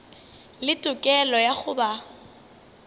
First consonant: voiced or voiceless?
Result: voiced